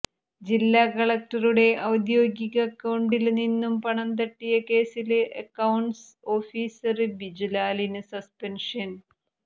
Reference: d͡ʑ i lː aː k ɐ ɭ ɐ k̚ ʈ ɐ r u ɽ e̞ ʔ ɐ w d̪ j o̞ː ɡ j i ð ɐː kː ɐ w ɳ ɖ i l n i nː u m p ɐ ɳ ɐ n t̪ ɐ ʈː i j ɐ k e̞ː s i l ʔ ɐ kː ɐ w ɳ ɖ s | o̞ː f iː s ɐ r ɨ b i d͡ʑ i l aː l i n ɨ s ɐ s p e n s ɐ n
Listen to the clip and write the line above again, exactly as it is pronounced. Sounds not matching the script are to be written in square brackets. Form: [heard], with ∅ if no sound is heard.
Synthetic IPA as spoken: d͡ʑ i lː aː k ɐ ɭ ɐ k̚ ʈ ɐ r u ɽ e̞ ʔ ɐ w d̪ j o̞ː ɡ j i [ɣ] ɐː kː ɐ w ɳ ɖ i l n i nː u m p ɐ ɳ ɐ n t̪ ɐ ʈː i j ɐ k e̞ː s i l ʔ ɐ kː ɐ w ɳ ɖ s | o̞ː f iː s ɐ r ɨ b i d͡ʑ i l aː l i n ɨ s ɐ s p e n [ʂ] ɐ n